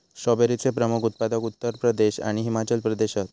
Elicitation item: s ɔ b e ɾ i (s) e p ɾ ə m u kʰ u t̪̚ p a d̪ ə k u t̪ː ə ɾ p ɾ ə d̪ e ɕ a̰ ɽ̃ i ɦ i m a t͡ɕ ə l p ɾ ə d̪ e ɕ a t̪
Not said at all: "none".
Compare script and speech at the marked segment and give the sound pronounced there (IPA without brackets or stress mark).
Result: t͡s